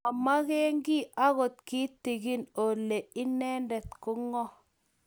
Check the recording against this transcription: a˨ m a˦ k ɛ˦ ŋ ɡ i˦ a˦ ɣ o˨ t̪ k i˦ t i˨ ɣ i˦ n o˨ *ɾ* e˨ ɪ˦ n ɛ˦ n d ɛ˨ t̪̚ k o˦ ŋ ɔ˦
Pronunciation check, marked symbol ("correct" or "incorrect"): incorrect